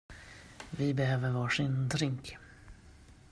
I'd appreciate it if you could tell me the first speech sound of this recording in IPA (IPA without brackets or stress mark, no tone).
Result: v